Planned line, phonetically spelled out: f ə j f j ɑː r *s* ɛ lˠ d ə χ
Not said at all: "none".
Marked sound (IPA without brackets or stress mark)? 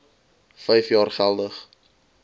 χ